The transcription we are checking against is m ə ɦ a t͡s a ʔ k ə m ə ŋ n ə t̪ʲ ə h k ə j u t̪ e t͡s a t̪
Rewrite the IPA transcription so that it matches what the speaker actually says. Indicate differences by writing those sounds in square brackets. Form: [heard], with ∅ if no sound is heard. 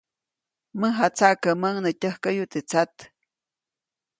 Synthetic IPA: m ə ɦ a t͡s a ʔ k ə m ə ŋ n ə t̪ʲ ə h k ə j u t̪ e t͡s a t̪